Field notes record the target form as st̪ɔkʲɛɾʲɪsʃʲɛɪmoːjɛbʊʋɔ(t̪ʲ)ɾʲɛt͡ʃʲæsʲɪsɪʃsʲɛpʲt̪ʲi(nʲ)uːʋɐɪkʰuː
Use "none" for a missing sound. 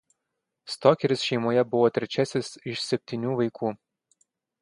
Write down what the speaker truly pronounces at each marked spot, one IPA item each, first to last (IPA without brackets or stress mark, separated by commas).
t̪ʲ, nʲ